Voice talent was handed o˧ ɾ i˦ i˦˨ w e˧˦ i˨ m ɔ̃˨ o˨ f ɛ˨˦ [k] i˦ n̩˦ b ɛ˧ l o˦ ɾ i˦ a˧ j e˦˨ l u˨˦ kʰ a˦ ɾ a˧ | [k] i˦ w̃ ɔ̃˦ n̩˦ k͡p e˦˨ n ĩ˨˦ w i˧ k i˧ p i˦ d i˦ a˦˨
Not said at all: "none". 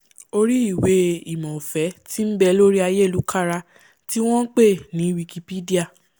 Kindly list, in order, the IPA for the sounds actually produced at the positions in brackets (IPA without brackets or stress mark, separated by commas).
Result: t, t